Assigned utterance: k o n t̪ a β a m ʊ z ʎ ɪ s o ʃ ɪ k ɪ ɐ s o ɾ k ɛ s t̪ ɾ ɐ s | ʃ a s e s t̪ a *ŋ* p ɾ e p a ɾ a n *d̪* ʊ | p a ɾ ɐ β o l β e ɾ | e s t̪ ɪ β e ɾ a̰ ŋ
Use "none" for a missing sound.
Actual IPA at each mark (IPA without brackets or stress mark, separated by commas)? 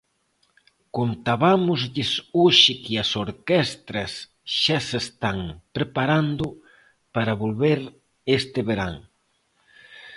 ŋ, d̪